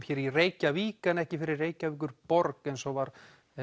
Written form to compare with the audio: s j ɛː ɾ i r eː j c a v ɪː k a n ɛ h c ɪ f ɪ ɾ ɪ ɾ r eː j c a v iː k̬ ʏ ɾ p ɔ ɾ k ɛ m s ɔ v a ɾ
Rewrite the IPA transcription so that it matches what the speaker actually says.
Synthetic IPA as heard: f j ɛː ɾ i r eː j c a v iː k a n ɛ h c ɪ f ɪ ɾ ɪ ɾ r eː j c a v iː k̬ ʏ ɾ p ɔ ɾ k ɛ n s ɔ v a ɾ

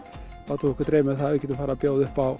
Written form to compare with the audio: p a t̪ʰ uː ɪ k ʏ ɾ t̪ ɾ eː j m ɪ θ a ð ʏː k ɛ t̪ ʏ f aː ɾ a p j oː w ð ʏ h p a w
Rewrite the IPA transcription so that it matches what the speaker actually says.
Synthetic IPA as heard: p a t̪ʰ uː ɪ k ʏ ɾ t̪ ɾ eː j m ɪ θ a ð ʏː c ɛ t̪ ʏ f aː ɾ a p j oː w ð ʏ h p a w

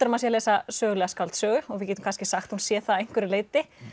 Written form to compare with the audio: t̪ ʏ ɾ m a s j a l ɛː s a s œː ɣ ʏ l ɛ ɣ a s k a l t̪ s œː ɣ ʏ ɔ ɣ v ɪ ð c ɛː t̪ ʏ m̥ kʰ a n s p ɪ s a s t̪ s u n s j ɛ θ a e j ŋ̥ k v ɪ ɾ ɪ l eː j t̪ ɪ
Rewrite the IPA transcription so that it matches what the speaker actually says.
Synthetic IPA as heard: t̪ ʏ ɾ m a s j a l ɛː s a s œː ɣ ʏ l ɛ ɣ a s k a l t̪ s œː ɣ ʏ ɔ ɣ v ɪ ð c ɛː t̪ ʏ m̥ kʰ a n s c ɪ s a x t̪ h u n s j ɛ θ a e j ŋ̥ k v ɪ ɾ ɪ l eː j t̪ ɪ

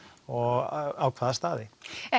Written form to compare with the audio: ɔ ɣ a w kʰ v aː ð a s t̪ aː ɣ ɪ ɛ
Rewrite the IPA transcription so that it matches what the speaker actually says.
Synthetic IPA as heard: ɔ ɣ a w kʰ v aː ð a s t̪ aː ð ɪ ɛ

